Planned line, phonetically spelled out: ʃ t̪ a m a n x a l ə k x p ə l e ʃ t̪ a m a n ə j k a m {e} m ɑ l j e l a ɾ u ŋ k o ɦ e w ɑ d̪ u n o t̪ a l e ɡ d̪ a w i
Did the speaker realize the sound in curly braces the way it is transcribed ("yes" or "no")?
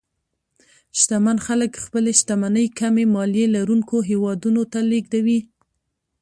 yes